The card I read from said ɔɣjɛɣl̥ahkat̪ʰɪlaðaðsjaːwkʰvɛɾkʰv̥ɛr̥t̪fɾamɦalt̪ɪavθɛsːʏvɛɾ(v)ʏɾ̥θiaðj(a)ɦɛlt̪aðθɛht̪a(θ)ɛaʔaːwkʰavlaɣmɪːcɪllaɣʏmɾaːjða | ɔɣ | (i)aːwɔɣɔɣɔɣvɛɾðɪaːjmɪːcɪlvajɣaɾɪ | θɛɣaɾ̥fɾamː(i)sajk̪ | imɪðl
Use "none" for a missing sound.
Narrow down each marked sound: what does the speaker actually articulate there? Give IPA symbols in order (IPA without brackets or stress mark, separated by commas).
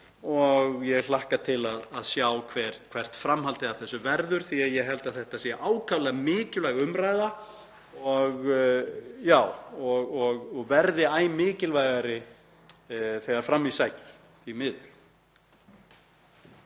ð, ɛ, s, j, i